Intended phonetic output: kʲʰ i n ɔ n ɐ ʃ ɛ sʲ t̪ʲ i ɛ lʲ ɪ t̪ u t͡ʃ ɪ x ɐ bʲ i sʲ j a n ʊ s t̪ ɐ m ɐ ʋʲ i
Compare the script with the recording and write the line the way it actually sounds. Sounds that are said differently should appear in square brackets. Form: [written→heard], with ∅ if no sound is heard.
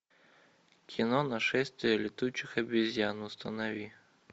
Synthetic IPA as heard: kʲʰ i n ɔ n ɐ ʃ ɛ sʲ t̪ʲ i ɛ lʲ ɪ t̪ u t͡ʃ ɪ x ɐ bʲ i [sʲ→zʲ] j a n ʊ s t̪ ɐ [m→n] ɐ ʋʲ i